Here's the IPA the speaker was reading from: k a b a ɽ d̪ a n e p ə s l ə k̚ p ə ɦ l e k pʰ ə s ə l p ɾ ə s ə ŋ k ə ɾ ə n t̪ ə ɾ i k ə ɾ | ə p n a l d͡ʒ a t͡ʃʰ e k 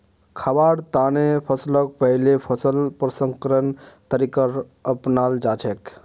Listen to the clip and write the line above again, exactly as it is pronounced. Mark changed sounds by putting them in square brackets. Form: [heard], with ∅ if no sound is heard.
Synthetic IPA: [kʰ] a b a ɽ [t̪] a n e [pʰ] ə s l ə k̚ p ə ɦ l e [∅] pʰ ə s ə l p ɾ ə s ə ŋ k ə ɾ ə n t̪ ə ɾ i k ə ɾ | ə p n a l d͡ʒ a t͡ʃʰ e k